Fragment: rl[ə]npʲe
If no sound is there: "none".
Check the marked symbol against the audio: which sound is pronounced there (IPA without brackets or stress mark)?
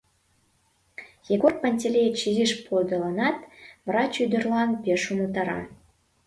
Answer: ɑ